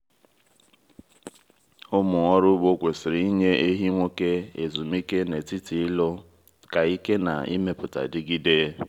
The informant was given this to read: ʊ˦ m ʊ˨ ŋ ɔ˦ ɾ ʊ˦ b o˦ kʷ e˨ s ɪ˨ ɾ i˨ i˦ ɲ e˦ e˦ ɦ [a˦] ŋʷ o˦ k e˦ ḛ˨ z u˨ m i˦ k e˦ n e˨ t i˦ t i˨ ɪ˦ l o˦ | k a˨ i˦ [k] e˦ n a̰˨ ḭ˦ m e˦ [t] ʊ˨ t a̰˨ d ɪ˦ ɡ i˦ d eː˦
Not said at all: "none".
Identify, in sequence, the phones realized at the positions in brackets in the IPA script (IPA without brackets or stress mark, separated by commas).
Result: i˦, k, p